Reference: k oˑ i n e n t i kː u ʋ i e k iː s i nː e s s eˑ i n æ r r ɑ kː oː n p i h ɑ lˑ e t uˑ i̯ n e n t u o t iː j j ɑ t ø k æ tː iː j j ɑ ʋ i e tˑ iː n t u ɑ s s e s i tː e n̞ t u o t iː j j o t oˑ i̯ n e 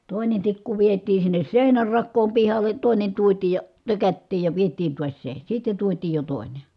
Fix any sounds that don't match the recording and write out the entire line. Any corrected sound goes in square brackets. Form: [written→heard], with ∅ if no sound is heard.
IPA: [k→t] oˑ i n e n t i kː u ʋ i e [k→t] iː s i nː e s s eˑ i n æ r r ɑ kː oː [n→m] p i h ɑ lˑ e t [uˑ→oˑ] i̯ n e n t u o t iː j j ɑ t ø k æ tː iː j j ɑ ʋ i e tˑ iː n t u ɑ s s e s i tː e n̞ t u o t iː j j o t oˑ i̯ n e

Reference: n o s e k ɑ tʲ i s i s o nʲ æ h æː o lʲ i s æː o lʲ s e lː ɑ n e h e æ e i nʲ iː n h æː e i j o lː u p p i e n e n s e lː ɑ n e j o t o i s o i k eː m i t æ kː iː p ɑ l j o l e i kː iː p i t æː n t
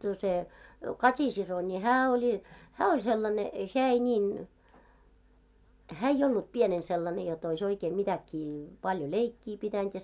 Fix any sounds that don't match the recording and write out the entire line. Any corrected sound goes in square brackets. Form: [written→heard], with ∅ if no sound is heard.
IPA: n o s e k ɑ tʲ i s i s o nʲ [æ→i] h æː o lʲ i [s→h] æː o lʲ s e lː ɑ n e h e æ e i nʲ iː n h æː e i j o lː u p p i e n e n s e lː ɑ n e j o t o i s o i k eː m i t æ kː iː p ɑ l j o l e i kː iː p i t [æː→æ] n t

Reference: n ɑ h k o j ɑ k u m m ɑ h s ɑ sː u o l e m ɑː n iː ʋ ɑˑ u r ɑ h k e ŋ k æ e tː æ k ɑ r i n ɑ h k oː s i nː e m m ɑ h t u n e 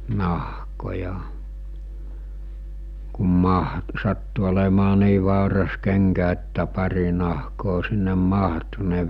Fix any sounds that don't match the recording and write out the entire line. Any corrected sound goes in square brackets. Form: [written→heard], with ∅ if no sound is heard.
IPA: n ɑ h k o j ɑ k u m m ɑ h s ɑ [sː→tː] u o l e m ɑː n iː ʋ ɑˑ u r ɑ [h→s] k e ŋ k æ e tː æ [k→p] ɑ r i n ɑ h k oː s i nː e m m ɑ h t u n e

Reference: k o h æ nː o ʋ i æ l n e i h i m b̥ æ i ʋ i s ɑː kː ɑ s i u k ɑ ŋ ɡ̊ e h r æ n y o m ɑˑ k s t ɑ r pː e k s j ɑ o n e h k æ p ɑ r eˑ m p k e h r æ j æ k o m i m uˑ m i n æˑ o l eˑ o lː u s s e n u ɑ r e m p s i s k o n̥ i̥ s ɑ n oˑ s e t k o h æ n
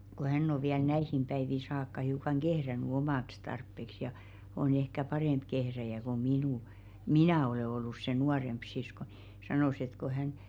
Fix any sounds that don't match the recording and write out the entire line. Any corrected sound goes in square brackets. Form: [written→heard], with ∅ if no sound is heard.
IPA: k o h æ nː o ʋ i æ l n [e→æ] i h i m b̥ æ i ʋ i s ɑː kː ɑ [s→h] i u k ɑ ŋ ɡ̊ e h r æ n y o m ɑˑ k s t ɑ r pː e k s j ɑ o n e h k æ p ɑ r eˑ m p k e h r æ j æ k o m i [m→n] uˑ m i n æˑ o l eˑ o lː u s s e n u ɑ r e m p s i s k o n̥ i̥ s ɑ n oˑ s e t k o h æ n

